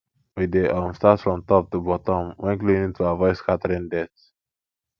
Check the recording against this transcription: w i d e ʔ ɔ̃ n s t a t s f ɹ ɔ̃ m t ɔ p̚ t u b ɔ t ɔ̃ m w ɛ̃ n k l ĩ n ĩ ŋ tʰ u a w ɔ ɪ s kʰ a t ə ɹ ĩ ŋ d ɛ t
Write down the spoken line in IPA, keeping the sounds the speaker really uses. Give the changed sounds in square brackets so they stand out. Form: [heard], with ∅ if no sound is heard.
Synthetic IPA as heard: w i d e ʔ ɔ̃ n s t a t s f ɹ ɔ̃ m t ɔ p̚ t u b ɔ t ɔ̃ m w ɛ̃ n k l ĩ n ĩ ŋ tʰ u a [v] ɔ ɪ s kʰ a t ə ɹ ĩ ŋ d ɛ t